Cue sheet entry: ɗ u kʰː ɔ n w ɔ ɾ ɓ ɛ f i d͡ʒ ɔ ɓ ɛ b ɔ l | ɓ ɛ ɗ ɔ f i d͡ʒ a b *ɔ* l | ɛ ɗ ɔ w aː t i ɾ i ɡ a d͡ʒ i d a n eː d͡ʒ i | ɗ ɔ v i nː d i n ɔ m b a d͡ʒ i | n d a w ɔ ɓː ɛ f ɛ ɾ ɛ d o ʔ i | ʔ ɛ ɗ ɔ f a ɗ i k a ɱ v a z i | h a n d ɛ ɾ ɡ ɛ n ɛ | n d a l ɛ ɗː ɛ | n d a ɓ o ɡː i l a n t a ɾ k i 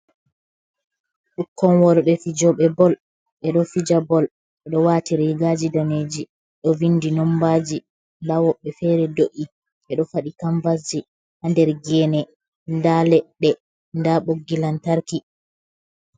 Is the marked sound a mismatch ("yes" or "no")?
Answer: no